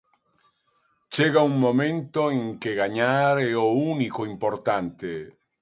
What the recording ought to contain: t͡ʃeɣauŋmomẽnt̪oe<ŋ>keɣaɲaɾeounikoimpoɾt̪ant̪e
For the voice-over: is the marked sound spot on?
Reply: yes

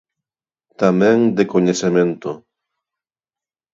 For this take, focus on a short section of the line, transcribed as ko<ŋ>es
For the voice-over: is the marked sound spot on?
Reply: no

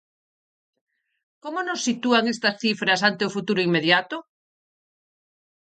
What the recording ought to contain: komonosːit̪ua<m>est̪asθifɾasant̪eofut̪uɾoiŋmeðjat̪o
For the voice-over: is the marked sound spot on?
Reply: no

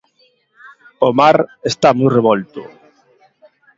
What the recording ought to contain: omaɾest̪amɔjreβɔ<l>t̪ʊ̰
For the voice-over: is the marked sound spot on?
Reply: yes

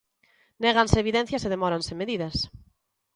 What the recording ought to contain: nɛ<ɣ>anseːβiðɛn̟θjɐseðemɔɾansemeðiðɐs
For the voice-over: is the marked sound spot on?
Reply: yes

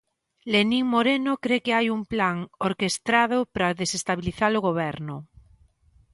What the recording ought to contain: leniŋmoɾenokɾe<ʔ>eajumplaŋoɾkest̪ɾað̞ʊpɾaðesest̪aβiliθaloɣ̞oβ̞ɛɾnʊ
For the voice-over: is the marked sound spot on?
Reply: no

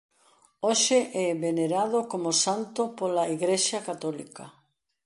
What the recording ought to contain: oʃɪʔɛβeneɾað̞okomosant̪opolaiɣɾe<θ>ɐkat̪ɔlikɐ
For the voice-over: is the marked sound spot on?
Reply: no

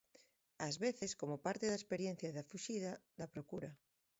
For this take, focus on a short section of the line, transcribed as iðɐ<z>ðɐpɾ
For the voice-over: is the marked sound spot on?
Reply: no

